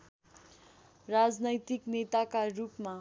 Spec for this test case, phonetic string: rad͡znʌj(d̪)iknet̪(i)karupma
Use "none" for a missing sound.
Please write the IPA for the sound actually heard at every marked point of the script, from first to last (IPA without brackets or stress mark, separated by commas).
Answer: t̪, a